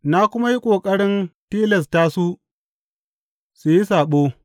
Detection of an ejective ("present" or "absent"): present